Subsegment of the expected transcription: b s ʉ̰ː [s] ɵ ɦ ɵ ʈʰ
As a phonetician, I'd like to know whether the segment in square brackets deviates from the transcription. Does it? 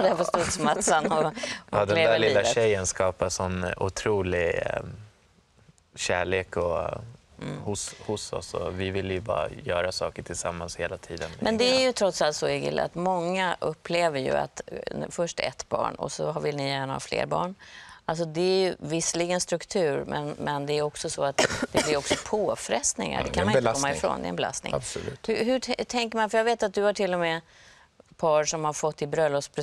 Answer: yes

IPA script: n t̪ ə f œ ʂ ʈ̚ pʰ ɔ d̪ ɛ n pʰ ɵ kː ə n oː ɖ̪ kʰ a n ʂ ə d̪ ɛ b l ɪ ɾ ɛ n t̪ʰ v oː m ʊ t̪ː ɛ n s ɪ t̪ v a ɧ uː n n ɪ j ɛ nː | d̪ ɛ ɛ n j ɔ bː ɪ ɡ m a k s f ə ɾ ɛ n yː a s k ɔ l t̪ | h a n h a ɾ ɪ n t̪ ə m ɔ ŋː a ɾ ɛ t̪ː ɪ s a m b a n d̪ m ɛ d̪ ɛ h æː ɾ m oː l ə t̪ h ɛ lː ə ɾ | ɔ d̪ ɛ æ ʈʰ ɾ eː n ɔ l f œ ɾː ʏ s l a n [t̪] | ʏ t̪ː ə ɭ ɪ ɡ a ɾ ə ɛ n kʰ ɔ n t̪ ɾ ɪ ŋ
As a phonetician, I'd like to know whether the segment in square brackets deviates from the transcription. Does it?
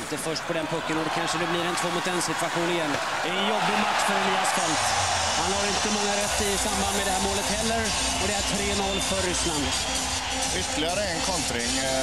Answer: yes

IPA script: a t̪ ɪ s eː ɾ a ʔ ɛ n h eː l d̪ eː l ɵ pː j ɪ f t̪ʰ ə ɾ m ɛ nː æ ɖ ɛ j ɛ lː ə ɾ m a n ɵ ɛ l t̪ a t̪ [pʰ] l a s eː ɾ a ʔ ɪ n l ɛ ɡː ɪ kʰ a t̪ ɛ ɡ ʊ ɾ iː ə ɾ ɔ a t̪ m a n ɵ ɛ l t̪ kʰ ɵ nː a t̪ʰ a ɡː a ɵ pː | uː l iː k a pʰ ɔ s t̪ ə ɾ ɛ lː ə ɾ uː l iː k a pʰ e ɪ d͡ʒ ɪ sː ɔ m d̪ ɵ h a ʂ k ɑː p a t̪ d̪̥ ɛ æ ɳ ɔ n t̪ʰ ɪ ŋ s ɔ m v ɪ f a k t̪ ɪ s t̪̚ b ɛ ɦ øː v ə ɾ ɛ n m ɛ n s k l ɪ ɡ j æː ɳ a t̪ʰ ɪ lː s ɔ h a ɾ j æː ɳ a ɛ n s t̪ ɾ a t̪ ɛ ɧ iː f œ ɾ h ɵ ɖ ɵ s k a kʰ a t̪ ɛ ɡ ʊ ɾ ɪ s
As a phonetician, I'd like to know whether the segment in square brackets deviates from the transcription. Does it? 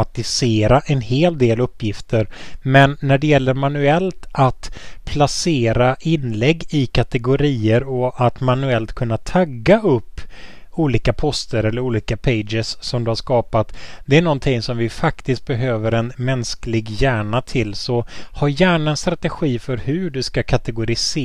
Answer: no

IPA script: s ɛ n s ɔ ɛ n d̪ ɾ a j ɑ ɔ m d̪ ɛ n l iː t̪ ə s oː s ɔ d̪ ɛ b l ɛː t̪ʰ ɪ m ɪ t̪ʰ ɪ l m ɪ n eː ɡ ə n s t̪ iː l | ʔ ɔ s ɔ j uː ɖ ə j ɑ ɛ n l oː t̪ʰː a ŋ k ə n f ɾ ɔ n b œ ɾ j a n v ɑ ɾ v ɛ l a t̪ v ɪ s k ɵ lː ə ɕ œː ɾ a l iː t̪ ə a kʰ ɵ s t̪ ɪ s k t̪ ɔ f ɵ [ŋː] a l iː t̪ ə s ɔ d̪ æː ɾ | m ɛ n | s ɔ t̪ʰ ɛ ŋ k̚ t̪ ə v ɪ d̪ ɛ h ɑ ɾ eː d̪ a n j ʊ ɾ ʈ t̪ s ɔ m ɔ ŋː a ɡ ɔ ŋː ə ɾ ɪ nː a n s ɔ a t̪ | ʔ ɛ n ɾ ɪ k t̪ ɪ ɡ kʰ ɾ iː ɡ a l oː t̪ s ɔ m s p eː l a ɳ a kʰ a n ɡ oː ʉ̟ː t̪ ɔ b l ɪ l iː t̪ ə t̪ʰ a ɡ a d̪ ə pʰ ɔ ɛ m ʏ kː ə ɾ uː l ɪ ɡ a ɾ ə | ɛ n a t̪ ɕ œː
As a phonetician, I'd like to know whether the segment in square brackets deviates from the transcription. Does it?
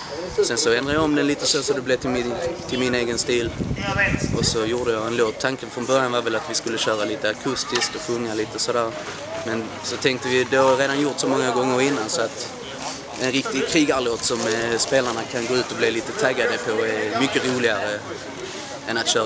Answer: no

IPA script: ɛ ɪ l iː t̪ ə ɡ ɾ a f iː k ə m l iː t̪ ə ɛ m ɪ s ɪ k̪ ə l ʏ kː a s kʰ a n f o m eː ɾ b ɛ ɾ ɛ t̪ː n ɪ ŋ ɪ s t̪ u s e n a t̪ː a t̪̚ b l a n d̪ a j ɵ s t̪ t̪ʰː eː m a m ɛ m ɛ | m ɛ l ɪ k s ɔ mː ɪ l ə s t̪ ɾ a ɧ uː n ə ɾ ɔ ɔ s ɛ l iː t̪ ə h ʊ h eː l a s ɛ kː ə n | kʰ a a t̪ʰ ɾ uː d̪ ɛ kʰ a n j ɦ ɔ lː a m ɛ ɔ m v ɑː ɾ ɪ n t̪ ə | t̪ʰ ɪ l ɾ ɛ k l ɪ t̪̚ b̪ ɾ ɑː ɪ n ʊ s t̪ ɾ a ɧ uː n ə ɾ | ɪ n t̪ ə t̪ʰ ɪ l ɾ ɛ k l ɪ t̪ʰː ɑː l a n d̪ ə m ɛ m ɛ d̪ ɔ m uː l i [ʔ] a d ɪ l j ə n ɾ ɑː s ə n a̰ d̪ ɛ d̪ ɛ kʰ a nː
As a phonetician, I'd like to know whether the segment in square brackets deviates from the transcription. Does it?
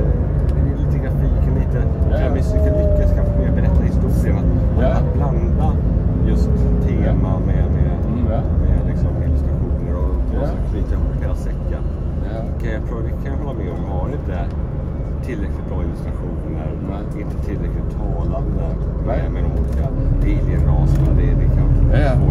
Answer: yes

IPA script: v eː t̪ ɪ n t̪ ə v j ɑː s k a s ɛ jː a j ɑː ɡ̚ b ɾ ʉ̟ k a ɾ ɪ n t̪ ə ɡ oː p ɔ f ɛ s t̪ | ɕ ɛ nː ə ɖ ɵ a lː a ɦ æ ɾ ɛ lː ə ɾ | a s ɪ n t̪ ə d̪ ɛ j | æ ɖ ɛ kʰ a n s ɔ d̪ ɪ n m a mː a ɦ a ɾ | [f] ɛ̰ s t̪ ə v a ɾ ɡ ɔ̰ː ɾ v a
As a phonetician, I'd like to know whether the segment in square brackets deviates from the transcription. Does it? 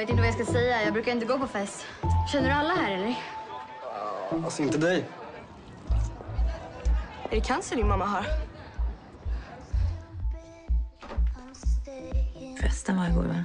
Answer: no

